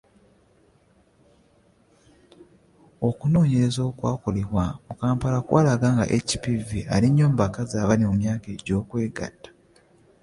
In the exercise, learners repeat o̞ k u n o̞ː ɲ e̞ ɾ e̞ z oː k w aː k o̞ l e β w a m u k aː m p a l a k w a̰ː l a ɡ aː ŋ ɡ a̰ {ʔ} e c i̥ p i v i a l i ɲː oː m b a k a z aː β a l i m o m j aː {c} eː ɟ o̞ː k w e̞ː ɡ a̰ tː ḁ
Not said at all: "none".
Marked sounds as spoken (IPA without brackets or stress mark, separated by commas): ʔ, k